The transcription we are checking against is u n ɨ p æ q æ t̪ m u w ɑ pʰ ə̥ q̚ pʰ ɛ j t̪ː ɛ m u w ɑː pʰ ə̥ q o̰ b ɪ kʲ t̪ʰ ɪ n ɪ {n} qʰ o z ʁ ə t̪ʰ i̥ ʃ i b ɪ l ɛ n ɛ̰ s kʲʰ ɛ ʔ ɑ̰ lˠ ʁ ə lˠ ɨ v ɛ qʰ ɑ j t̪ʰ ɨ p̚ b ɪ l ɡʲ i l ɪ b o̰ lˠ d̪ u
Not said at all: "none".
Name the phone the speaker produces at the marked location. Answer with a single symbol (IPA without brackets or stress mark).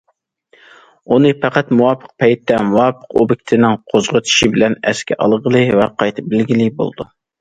ŋ